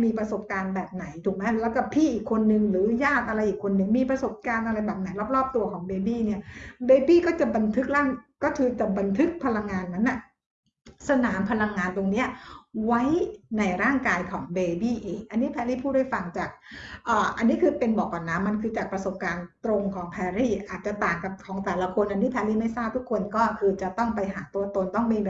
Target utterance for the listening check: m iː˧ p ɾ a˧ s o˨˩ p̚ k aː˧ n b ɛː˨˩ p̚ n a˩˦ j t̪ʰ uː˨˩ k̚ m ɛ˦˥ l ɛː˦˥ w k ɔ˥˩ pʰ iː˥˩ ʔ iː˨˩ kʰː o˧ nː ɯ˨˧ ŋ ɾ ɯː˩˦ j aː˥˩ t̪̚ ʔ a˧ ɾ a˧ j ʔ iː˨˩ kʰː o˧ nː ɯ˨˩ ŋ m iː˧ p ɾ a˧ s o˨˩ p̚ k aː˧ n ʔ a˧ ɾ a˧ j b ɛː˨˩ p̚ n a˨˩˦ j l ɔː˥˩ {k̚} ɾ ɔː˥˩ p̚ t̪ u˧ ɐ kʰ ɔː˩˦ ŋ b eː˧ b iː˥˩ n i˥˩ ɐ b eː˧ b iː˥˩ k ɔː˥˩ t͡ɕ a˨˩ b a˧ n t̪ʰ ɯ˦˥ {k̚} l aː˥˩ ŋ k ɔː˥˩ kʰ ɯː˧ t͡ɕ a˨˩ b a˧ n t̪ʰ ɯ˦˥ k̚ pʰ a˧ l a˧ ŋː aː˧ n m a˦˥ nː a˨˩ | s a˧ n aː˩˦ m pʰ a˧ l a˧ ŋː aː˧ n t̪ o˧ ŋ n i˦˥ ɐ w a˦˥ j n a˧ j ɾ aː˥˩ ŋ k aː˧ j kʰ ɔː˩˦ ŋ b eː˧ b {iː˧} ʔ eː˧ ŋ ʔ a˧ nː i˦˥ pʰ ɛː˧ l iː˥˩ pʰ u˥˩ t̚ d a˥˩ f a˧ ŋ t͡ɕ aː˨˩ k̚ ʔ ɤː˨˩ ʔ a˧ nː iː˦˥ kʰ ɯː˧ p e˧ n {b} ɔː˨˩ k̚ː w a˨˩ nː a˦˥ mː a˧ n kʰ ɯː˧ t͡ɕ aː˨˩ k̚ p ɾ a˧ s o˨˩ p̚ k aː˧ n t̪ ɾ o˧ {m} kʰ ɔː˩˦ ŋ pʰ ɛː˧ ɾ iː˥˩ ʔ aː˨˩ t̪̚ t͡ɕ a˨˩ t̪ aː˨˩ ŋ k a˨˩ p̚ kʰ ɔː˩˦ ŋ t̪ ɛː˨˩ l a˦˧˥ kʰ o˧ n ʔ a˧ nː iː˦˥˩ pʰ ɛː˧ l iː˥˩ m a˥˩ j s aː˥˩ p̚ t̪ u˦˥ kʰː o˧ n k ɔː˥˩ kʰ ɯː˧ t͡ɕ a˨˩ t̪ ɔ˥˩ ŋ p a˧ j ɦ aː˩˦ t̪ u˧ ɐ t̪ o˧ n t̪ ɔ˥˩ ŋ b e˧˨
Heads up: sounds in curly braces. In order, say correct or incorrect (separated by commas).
incorrect, correct, incorrect, correct, incorrect